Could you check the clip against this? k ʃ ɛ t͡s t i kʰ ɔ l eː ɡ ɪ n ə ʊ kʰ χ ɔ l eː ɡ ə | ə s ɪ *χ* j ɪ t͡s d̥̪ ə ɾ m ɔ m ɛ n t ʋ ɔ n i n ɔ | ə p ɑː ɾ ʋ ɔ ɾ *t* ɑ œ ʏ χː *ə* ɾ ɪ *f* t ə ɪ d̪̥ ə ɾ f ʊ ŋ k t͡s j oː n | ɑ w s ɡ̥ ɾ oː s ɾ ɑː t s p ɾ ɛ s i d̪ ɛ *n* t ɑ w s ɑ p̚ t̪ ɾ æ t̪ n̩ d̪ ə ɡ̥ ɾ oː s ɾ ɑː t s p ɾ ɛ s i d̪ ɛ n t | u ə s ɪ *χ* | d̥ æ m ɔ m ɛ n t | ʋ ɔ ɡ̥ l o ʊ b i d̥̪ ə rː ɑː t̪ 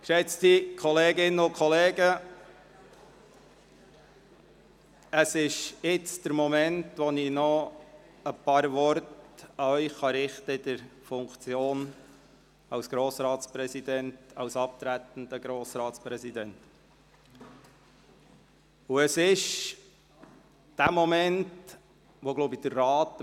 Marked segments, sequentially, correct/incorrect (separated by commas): incorrect, correct, incorrect, incorrect, correct, incorrect